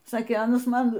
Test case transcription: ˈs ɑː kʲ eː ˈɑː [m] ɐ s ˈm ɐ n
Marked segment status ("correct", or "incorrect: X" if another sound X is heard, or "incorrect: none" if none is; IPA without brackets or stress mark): incorrect: n